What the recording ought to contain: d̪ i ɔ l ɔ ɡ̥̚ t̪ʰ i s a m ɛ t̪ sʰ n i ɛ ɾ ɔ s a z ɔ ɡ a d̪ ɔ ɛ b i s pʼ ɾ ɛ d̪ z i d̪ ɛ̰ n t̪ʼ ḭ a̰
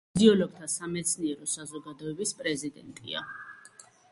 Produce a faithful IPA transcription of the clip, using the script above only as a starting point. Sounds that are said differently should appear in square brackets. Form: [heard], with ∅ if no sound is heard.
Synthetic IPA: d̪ i ɔ l ɔ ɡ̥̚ t̪ʰ [a] s a m ɛ t̪ sʰ n i ɛ ɾ ɔ s a z ɔ ɡ a d̪ ɔ ɛ b i s pʼ ɾ ɛ [∅] z i d̪ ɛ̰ n t̪ʼ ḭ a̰